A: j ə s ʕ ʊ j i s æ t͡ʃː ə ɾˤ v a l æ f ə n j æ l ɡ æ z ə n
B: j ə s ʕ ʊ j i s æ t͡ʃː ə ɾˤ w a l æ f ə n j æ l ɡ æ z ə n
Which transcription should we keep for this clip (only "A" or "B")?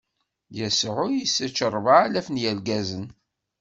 A